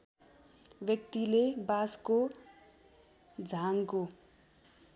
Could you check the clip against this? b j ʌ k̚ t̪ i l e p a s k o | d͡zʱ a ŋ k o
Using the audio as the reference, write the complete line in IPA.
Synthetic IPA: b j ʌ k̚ t̪ i l e b a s k o | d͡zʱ a ŋ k o